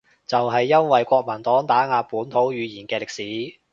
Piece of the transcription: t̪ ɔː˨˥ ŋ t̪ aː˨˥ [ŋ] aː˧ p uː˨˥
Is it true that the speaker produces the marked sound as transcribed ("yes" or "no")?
yes